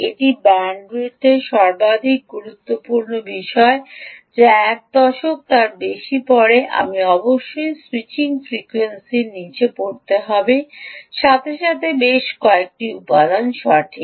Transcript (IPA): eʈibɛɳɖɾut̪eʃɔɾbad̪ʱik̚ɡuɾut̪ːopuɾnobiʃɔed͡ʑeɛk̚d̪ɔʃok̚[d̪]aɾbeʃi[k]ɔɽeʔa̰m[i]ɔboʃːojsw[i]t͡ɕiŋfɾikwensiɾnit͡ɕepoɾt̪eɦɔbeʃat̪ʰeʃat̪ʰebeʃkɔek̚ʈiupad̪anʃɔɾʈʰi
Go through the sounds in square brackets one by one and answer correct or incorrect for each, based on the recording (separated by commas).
incorrect, incorrect, correct, correct